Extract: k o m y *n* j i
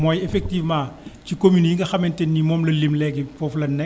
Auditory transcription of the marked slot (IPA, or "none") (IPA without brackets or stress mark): n